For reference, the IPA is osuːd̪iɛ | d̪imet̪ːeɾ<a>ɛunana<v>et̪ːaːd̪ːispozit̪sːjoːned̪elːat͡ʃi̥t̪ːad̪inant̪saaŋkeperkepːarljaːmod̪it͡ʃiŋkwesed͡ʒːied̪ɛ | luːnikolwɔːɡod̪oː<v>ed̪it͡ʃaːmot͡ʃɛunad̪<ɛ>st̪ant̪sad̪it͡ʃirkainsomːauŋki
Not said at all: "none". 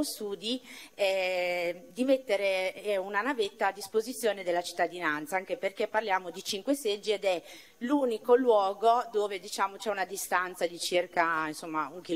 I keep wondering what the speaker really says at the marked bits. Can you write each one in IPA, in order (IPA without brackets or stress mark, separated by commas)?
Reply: e, v, v, i